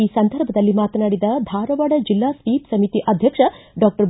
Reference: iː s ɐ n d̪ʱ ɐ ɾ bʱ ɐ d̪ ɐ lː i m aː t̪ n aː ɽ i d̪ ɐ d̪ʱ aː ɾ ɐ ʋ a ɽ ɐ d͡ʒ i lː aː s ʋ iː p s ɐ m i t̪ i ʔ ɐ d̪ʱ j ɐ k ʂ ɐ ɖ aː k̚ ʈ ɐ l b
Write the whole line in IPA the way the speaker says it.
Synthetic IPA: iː s ɐ n d̪ʱ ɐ ɾ bʱ ɐ d̪ ɐ lː i m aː t̪ n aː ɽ i d̪ ɐ d̪ʱ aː ɾ ɐ ʋ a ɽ ɐ d͡ʒ i lː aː s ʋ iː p s ɐ m i t̪ i ʔ ɐ d̪ʱ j ɐ k ʂ ɐ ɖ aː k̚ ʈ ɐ ɾ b